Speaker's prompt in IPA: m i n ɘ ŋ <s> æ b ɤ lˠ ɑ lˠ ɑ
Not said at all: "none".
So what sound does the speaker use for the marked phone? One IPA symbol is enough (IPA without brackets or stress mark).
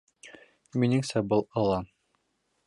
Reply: s